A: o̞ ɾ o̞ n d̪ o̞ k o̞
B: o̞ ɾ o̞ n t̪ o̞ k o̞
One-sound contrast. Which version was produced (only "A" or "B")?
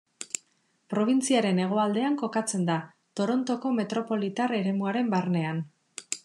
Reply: B